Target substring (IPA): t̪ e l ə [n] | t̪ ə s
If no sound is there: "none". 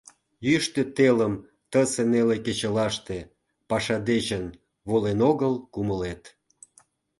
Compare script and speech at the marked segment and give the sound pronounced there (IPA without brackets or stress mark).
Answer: m